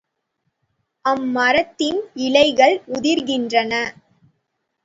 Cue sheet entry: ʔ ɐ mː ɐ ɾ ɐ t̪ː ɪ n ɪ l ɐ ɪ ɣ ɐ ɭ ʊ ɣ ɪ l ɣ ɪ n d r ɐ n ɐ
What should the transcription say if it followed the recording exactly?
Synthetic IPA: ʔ ɐ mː ɐ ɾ ɐ t̪ː ɪ n ɪ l ɐ ɪ ɣ ɐ ɭ ʊ ð ɪ ɾ ɣ ɪ n d r ɐ n ɐ